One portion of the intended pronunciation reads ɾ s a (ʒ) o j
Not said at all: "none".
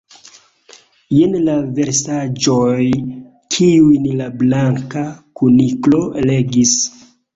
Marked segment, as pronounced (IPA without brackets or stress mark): d͡ʒ